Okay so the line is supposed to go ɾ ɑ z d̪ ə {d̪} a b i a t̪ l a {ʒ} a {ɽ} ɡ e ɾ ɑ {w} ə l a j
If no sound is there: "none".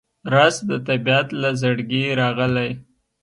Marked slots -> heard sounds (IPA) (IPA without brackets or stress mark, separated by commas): t̪, z, ɽ, ɣ